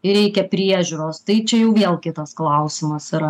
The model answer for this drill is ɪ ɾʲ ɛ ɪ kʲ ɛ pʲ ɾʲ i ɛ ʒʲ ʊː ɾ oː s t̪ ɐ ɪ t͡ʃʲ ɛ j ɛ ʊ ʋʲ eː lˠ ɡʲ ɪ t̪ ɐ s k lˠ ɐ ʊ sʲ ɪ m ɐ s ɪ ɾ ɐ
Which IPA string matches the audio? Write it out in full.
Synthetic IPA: ɪ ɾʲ ɛ ɪ kʲ ɛ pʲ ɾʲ i ɛ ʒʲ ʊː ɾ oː s t̪ ɐ ɪ t͡ʃʲ ɛ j ɛ ʊ ʋʲ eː lˠ kʲ ɪ t̪ ɐ s k lˠ ɐ ʊ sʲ ɪ m ɐ s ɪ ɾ ɐ